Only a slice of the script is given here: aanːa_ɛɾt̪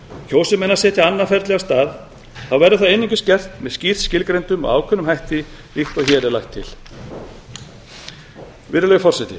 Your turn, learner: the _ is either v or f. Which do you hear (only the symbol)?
f